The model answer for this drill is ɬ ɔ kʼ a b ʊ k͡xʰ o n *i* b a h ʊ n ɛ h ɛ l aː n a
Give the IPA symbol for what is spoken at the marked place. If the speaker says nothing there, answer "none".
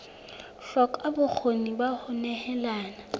i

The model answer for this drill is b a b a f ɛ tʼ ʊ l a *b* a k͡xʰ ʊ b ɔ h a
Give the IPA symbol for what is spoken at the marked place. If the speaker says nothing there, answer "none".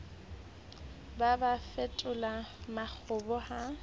m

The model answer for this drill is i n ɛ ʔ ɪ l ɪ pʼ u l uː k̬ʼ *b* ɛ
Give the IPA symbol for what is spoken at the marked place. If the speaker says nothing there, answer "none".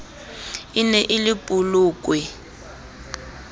w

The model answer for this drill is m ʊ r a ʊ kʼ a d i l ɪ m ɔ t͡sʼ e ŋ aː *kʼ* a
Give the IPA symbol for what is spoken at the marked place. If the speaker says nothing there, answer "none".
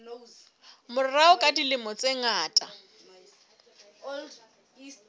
tʼ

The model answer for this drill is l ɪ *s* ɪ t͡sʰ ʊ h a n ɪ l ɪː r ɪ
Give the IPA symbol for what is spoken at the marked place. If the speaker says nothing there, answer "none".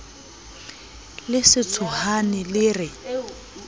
s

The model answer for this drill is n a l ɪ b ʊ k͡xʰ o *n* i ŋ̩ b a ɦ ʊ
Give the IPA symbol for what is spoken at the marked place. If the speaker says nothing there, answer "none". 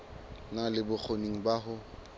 n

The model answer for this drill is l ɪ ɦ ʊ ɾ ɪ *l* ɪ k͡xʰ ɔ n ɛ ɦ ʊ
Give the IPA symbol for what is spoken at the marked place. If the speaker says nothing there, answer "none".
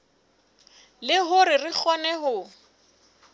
r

